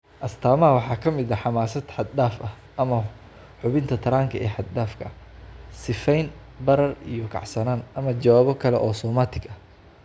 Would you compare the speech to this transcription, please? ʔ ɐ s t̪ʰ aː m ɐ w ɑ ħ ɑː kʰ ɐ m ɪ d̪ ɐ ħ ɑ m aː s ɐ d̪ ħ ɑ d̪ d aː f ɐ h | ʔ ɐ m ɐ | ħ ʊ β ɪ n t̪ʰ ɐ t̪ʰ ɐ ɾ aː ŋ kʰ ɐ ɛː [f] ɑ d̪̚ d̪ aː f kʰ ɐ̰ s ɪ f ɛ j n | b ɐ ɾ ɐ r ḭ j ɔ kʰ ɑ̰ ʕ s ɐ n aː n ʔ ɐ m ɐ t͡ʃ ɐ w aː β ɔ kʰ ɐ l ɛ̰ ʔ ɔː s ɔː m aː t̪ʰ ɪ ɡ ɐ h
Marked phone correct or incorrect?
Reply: incorrect